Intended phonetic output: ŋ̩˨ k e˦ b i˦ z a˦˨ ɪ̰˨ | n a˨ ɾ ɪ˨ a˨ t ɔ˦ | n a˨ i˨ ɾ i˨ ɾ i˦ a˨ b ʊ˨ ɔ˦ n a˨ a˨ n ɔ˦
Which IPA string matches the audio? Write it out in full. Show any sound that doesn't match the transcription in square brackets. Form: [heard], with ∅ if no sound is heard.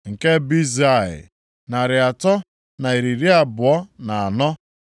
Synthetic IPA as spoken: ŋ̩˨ k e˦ b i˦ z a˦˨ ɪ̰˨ | n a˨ ɾ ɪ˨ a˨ t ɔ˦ | n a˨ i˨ ɾ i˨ ɾ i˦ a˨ b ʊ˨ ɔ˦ n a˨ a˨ n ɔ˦

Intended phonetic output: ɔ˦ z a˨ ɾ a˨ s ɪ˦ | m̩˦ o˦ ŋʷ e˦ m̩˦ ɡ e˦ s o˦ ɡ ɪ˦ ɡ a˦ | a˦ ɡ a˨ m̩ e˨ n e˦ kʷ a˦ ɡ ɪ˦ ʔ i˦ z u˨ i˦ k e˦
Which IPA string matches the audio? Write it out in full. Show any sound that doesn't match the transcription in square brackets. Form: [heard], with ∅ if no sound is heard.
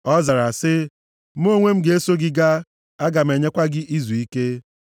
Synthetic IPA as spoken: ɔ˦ z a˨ ɾ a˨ s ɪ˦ | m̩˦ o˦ ŋʷ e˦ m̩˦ ɡ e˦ s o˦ ɡ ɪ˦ ɡ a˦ | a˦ ɡ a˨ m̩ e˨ [ɲ] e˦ kʷ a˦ ɡ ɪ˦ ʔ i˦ z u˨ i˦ k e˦

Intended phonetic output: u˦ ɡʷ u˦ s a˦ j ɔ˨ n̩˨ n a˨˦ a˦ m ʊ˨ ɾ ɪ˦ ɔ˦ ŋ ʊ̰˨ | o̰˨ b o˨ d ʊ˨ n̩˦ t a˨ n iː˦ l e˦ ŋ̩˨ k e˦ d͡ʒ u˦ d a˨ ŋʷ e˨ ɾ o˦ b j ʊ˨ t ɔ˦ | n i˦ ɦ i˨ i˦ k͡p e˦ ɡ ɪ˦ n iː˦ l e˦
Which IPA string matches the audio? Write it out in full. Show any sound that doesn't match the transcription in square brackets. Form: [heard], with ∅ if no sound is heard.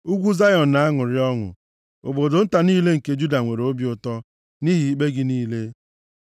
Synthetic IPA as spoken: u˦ ɡʷ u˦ [z] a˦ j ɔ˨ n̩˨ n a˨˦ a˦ [ŋ] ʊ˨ ɾ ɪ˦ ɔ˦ ŋ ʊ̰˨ | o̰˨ b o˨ d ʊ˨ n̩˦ t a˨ n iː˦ l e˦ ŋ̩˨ k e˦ d͡ʒ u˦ d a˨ ŋʷ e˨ ɾ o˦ b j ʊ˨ t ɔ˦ | n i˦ ɦ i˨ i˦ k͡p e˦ ɡ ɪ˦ n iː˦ l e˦

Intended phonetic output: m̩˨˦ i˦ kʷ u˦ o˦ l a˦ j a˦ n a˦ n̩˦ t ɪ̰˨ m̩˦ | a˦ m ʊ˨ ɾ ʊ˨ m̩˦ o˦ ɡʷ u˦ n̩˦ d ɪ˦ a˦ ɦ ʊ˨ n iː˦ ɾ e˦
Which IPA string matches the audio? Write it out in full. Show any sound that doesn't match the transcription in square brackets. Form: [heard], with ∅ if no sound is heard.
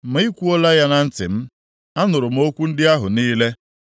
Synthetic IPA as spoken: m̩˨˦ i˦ kʷ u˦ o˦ l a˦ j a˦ n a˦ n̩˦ t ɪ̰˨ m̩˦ | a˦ [n] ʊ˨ ɾ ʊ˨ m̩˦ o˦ [kʷ] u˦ n̩˦ d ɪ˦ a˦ ɦ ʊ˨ n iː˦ [l] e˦

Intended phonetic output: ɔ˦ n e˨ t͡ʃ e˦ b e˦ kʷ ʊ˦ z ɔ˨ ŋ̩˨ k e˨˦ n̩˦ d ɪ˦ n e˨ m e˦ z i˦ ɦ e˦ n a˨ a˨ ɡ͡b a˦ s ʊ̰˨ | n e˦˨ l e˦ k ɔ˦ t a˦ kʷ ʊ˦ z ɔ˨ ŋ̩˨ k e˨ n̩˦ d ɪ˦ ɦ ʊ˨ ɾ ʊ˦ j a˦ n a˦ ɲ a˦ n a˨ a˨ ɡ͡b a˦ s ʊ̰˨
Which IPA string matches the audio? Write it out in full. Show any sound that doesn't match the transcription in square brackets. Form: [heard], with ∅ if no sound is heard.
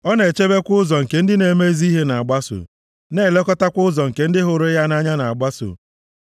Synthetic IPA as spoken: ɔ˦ n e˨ t͡ʃ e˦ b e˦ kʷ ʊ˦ z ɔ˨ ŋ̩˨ k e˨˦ n̩˦ d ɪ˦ n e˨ m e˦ z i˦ ɦ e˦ n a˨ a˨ ɡ͡b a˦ s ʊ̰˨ | n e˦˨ l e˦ k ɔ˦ t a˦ kʷ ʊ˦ z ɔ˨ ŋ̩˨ k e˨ n̩˦ d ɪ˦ ɦ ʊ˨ ɾ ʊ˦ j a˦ n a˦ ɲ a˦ n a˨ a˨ ɡ͡b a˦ s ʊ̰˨

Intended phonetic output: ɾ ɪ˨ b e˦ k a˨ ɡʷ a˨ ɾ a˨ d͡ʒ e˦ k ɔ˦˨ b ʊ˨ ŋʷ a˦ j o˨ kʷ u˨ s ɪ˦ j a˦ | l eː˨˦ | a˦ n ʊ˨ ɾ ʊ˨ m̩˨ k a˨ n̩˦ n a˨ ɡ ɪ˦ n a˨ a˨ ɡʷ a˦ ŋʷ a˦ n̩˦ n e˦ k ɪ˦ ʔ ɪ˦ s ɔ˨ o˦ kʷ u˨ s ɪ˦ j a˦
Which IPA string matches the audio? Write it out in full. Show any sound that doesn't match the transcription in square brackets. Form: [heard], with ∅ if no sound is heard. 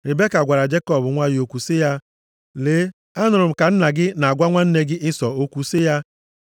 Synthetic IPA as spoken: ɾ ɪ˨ b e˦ k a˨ ɡʷ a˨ ɾ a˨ d͡ʒ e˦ k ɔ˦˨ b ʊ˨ ŋʷ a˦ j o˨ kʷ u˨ s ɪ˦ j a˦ | l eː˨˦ | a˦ n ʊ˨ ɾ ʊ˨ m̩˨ k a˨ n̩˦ n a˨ ɡ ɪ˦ n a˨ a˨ ɡʷ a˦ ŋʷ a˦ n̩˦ n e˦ [ɡ] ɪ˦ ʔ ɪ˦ s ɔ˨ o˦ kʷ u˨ s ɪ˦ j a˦

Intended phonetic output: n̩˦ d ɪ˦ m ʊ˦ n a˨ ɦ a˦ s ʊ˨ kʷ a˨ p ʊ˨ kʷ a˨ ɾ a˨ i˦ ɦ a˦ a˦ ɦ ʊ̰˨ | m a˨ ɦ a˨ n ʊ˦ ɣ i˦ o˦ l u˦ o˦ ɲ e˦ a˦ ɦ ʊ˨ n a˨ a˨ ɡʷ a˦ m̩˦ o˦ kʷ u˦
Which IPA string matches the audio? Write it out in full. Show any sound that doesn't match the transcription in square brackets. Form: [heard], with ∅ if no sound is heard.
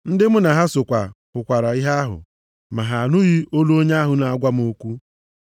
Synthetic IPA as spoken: n̩˦ d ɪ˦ m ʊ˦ n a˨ ɦ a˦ s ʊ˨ kʷ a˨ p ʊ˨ kʷ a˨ ɾ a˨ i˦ ɦ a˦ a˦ ɦ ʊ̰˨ | m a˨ ɦ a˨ n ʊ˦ ɣ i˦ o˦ l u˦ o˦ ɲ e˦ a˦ ɦ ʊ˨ n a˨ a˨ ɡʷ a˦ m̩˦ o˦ kʷ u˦

